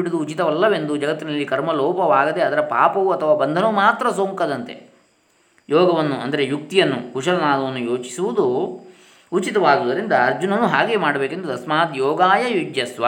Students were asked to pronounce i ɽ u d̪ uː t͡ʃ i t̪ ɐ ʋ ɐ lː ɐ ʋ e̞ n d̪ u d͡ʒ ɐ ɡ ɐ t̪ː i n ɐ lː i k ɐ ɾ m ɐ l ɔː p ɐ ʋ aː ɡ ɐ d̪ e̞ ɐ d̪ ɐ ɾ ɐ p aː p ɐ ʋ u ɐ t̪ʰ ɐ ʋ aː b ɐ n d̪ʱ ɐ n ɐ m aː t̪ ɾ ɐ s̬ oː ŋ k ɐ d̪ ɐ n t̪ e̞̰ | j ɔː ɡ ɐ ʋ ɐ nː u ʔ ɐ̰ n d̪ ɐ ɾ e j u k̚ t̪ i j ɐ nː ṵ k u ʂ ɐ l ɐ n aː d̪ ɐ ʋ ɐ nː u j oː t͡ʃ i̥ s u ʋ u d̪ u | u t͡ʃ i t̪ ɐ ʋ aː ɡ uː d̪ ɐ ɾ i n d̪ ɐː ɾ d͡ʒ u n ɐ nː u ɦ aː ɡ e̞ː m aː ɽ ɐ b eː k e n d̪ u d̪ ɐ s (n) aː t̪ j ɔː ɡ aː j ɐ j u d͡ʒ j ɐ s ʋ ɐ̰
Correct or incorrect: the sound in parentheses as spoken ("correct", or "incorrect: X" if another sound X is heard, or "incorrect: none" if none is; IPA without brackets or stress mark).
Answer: incorrect: m